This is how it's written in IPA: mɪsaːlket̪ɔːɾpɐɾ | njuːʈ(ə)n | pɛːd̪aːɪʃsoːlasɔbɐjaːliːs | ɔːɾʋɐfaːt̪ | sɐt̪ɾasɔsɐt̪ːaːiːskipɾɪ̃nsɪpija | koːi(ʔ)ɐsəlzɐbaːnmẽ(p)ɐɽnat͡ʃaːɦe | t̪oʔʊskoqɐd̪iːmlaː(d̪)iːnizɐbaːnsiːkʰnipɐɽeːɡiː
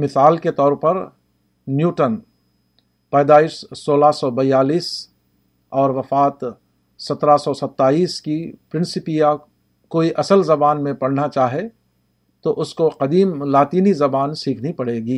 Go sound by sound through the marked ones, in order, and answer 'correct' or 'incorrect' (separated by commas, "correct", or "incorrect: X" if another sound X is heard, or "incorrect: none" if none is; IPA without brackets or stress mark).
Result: correct, correct, correct, incorrect: t̪